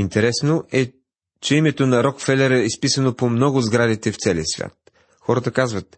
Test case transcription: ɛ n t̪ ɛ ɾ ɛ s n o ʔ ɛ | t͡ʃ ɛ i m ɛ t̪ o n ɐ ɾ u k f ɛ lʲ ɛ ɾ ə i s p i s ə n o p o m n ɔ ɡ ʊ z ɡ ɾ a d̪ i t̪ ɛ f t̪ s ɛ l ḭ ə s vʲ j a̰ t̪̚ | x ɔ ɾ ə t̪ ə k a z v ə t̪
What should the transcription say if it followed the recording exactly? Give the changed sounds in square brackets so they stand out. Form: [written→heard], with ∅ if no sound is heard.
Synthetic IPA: [ɛ→i] n t̪ ɛ ɾ ɛ s n o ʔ ɛ | t͡ʃ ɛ i m ɛ t̪ o n ɐ ɾ [u→ɔ] k f ɛ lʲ ɛ ɾ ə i s p i s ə n o p o m n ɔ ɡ ʊ z ɡ ɾ a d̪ i t̪ ɛ f t̪ s ɛ l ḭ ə s vʲ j a̰ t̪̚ | x ɔ ɾ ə t̪ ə k a z v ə t̪